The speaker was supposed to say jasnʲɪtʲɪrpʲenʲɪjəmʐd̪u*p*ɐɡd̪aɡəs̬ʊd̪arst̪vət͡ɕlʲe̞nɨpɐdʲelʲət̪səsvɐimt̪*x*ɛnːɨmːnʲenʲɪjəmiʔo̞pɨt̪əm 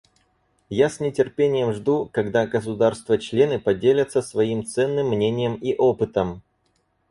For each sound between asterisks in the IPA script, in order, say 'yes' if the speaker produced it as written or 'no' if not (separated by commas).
no, no